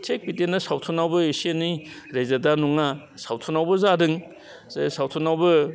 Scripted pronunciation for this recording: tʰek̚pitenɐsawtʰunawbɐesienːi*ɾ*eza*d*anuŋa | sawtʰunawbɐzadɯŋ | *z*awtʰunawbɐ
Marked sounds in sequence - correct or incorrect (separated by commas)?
correct, correct, incorrect